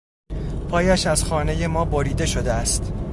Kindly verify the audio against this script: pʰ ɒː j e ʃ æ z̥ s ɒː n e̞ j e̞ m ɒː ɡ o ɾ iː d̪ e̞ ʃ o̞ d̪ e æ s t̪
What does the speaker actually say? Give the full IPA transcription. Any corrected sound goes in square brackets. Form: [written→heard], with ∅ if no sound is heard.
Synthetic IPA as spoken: pʰ ɒː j [e→æ] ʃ æ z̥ [s→x] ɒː n e̞ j e̞ m ɒː [ɡ→b] o ɾ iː d̪ e̞ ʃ o̞ d̪ e æ s t̪

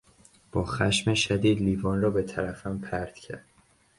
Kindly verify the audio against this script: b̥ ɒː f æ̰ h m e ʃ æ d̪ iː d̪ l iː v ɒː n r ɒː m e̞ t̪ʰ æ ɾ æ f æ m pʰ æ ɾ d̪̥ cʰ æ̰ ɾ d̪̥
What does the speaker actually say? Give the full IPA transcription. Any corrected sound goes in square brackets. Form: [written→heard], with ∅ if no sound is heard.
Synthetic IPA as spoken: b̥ ɒː [f→x] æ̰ [h→ʃ] m e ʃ æ d̪ iː d̪ l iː v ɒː n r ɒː [m→b] e̞ t̪ʰ æ ɾ æ f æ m pʰ æ ɾ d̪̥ cʰ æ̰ ɾ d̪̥

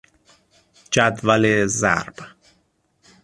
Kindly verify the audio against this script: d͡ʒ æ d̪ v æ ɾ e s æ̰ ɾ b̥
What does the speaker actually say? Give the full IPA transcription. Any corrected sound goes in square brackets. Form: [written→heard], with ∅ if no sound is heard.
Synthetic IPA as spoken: d͡ʒ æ d̪ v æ [ɾ→l] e [s→z] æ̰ ɾ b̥

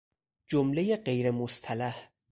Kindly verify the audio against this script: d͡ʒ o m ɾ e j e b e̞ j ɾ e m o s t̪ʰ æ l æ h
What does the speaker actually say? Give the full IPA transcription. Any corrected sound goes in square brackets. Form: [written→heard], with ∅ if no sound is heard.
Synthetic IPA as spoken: d͡ʒ o m [ɾ→l] e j e [b→ɢ] e̞ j ɾ e m o s t̪ʰ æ l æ h

